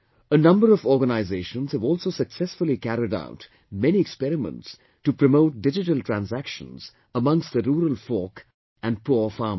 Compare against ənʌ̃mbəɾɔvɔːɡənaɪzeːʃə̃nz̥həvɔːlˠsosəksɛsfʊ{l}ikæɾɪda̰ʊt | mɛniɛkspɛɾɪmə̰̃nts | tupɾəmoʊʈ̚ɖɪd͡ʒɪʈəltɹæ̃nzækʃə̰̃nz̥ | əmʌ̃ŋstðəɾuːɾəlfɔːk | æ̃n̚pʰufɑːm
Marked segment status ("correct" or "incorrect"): correct